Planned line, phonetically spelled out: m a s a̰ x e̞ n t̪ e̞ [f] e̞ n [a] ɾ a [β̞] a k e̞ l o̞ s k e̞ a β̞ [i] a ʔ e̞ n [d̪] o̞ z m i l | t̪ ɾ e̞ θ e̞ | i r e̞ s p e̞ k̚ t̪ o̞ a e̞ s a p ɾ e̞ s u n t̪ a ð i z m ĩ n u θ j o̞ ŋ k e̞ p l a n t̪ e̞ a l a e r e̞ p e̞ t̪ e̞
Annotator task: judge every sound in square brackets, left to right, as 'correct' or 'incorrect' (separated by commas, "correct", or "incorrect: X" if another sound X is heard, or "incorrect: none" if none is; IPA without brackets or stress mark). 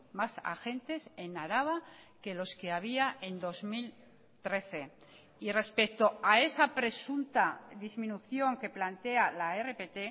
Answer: incorrect: s, correct, correct, correct, correct